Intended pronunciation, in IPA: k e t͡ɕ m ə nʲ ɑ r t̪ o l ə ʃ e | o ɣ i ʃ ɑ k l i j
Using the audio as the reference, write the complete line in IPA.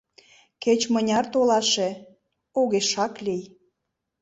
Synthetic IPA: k e t͡ɕ m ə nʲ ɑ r t̪ o l ɑ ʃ e | o ɣ e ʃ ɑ k l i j